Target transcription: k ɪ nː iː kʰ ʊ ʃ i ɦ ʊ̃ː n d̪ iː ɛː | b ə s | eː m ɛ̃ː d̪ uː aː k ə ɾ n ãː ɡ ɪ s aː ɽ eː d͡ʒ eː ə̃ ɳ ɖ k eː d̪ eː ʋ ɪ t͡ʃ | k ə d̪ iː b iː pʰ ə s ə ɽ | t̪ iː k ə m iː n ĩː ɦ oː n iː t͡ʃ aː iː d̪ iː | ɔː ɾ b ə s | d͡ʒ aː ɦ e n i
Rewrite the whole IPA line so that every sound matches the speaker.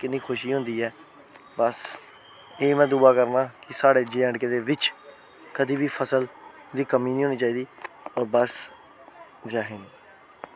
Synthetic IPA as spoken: k ɪ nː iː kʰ ʊ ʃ iː ɦ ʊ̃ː n d̪ iː ɛː | b ə s | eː m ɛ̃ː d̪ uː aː k ə ɾ n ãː k ɪ s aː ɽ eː d͡ʒ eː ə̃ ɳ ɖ k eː d̪ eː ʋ ɪ t͡ʃ | k ə d̪ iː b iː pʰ ə s ə l | d̪ iː k ə m iː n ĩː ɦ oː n iː t͡ʃ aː iː d̪ iː | ɔː ɾ b ə s | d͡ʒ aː ɦ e n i